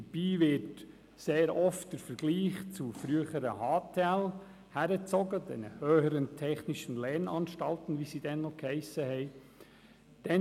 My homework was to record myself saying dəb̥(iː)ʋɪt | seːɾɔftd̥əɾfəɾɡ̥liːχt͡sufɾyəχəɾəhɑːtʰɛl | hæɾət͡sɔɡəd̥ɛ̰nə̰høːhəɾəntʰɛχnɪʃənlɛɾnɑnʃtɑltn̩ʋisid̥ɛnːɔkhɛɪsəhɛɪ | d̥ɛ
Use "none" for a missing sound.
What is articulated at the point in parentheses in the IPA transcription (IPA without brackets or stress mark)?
iː